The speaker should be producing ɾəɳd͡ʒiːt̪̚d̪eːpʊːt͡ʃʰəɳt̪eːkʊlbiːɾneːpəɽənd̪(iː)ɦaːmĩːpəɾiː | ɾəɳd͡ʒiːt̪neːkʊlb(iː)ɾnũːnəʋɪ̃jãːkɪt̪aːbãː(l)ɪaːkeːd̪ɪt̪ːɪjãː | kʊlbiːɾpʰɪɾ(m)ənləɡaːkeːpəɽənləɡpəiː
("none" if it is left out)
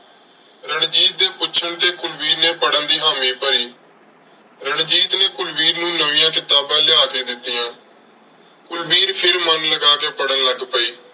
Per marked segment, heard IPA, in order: iː, iː, l, m

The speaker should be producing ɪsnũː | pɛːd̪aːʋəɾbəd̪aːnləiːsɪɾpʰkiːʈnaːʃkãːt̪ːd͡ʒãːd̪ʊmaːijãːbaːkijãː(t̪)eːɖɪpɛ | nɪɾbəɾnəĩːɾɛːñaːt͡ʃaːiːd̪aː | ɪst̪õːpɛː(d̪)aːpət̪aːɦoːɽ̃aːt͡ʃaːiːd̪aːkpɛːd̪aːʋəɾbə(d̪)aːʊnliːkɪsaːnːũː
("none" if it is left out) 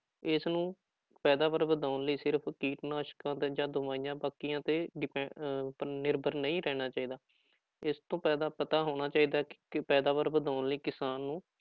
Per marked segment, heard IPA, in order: t̪, d̪, d̪

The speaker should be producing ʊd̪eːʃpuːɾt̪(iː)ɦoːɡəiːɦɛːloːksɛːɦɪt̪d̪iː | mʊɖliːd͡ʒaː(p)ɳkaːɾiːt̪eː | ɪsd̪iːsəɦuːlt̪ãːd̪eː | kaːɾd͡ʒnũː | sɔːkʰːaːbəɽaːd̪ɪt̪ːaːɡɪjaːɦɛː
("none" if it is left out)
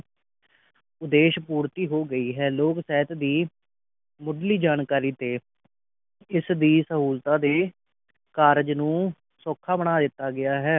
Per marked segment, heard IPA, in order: iː, none

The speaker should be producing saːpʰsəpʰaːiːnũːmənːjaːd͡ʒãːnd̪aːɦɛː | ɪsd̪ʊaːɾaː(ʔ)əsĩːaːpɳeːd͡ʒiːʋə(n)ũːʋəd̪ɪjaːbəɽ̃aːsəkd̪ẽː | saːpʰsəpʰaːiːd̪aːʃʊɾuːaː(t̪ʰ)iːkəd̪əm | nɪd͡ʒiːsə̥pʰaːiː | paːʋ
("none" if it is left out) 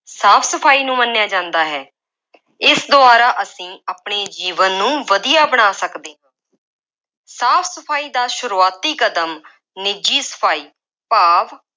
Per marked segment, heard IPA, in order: ʔ, nː, t̪

